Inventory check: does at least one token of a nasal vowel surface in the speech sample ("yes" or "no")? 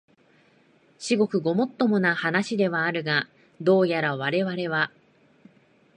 no